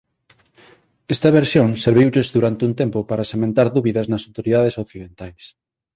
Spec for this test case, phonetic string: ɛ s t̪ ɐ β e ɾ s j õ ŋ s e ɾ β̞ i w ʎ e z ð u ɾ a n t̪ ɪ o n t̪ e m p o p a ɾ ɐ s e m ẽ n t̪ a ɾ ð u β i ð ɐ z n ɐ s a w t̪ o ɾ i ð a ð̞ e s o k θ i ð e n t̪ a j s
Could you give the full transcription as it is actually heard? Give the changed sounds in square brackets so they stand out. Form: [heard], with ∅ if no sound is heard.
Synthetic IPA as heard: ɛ s t̪ ɐ β e ɾ s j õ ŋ s e ɾ β̞ i w ʎ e z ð u ɾ a n t̪ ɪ [u] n t̪ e m p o p a ɾ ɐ s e m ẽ n t̪ a ɾ ð u β i ð ɐ z n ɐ s a w t̪ o ɾ i ð a ð̞ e s o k θ i ð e n t̪ a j s